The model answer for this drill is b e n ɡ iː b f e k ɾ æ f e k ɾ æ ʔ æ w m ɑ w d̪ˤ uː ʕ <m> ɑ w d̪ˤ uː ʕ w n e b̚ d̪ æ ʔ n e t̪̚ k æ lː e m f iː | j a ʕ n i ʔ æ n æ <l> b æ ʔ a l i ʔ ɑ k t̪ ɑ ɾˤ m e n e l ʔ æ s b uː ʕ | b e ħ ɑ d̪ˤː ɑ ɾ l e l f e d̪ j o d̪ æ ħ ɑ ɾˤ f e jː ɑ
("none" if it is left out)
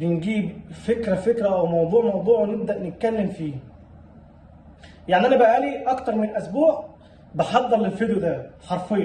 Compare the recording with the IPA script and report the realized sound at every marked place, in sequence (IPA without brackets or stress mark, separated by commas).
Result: m, none